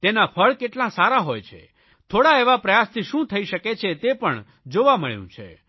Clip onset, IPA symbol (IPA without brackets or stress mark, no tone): t̪